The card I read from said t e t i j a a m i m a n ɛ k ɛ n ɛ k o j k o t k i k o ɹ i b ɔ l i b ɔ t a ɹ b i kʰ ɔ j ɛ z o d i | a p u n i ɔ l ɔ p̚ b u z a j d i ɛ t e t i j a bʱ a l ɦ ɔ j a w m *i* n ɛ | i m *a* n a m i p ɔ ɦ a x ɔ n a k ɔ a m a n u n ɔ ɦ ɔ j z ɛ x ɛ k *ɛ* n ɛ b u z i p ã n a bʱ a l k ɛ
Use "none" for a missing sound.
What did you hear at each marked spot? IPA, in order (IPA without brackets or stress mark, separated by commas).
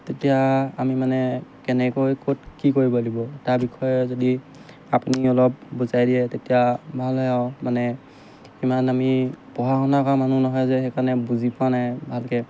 a, a, a